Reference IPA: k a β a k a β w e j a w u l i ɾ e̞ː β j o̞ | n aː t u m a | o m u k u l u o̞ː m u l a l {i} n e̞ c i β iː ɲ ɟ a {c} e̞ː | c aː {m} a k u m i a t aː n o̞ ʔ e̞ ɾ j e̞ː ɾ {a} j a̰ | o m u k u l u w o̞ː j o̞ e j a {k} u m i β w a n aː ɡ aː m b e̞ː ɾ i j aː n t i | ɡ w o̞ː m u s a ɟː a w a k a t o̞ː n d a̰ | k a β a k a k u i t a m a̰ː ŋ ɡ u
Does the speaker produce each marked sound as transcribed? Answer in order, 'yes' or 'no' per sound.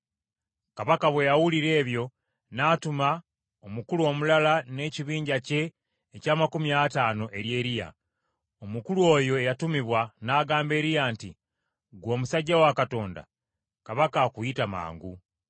no, yes, yes, no, no

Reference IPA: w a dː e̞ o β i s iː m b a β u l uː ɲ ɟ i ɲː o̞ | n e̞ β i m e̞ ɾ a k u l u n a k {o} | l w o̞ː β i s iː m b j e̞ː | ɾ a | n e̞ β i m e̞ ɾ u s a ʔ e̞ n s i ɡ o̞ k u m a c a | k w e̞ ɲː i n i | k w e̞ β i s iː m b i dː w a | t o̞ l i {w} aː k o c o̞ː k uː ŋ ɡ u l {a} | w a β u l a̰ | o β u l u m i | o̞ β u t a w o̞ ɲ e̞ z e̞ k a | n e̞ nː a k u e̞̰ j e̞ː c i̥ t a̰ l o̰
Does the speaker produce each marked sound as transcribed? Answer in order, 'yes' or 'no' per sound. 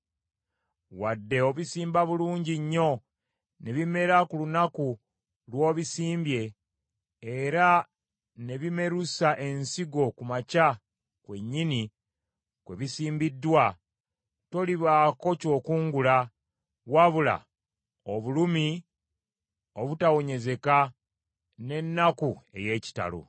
no, no, yes

